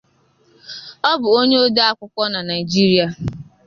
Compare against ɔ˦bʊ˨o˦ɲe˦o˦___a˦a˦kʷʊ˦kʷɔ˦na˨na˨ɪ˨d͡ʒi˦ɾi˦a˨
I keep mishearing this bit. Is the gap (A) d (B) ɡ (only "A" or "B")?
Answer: A